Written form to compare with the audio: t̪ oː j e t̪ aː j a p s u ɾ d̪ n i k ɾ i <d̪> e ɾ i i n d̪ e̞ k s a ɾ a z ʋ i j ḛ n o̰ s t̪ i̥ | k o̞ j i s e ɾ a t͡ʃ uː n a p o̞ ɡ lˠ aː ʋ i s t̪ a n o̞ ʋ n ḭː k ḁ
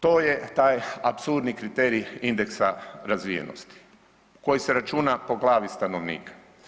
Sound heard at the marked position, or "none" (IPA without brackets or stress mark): t̪